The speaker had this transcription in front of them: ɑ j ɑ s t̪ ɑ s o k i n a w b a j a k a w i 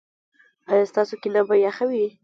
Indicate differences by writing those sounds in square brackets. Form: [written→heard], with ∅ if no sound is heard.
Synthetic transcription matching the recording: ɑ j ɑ s t̪ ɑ s o k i n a [w→∅] b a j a [k→x] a w i